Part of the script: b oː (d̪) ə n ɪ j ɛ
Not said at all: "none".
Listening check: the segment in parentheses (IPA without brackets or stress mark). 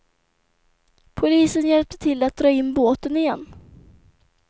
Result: t̪